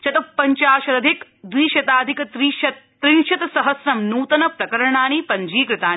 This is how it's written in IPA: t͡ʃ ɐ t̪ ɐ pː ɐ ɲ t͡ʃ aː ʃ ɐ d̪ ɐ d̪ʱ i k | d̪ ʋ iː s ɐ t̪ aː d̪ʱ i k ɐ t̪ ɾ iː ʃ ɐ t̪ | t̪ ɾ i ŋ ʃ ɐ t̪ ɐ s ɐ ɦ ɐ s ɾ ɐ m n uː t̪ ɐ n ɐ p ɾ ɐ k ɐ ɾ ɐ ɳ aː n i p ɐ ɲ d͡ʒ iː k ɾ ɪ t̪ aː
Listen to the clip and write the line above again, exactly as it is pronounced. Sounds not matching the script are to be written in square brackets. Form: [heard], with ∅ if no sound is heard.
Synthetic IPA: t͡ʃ ɐ t̪ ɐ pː ɐ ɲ t͡ʃ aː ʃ ɐ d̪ ɐ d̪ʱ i k | d̪ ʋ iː [ʃ] ɐ t̪ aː d̪ʱ i k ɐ t̪ ɾ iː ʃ ɐ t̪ | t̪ ɾ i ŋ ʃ ɐ t̪ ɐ s ɐ ɦ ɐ s ɾ ɐ m n uː t̪ ɐ n ɐ p ɾ ɐ k ɐ ɾ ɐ ɳ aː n i p ɐ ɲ d͡ʒ iː k ɾ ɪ t̪ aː